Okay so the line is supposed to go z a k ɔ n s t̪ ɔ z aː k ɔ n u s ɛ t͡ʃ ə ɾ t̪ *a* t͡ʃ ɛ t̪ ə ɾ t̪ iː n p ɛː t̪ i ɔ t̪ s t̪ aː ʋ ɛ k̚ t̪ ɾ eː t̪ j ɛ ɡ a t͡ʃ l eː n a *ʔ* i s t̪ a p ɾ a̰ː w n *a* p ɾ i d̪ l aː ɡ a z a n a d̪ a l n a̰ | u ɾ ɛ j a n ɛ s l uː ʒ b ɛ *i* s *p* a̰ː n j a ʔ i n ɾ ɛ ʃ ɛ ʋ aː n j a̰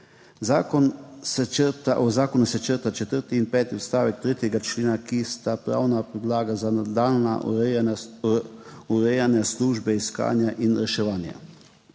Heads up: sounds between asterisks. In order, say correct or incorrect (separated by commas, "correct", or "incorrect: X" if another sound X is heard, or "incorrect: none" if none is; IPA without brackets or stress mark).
correct, incorrect: k, correct, correct, incorrect: k